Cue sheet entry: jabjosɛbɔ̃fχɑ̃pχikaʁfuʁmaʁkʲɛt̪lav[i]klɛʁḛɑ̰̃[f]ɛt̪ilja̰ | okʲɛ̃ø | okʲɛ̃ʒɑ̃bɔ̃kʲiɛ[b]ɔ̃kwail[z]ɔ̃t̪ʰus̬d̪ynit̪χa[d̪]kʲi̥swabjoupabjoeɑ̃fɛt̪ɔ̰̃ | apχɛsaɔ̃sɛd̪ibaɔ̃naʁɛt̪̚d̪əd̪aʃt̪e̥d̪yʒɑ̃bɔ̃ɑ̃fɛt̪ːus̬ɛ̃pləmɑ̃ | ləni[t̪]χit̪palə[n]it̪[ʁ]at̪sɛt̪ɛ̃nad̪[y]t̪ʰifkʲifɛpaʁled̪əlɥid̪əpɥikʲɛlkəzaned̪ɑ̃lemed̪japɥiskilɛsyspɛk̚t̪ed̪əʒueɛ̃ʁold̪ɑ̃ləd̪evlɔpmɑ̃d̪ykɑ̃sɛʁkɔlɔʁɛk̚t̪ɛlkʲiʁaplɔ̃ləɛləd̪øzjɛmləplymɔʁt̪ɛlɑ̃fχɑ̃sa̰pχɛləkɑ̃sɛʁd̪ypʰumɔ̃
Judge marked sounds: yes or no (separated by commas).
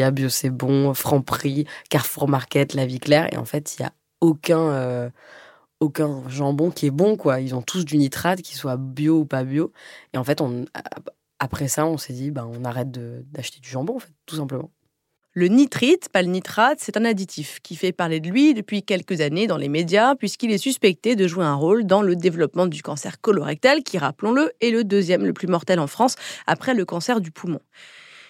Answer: yes, yes, yes, yes, yes, yes, yes, no, no